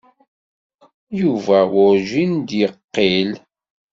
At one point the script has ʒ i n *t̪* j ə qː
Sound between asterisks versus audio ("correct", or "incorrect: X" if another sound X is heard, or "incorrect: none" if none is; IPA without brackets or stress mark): incorrect: d̪